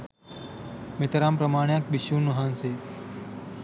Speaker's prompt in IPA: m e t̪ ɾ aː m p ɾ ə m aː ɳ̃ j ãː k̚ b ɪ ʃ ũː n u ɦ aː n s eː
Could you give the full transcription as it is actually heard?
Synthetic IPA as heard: m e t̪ ɾ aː m p ɾ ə m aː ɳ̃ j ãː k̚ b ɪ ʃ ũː n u ɦ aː n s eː